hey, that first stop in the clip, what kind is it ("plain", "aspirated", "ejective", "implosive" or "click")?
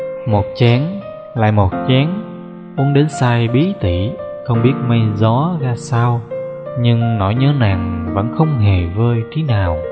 plain